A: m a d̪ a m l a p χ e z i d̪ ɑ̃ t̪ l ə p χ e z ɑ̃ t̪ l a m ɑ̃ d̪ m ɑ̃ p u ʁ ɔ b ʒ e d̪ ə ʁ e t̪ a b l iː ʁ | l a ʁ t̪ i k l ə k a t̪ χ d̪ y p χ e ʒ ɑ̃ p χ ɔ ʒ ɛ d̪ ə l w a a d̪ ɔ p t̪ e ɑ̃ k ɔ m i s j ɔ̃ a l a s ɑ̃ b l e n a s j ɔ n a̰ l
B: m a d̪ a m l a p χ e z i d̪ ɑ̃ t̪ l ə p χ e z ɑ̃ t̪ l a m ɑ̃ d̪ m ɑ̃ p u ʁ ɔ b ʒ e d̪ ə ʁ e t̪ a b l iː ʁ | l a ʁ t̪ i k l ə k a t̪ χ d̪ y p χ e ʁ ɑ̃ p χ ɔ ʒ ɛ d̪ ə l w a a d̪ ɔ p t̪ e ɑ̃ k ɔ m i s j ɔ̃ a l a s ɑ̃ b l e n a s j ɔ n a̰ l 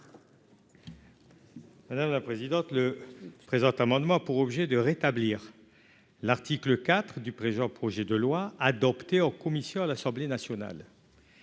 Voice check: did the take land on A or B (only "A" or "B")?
A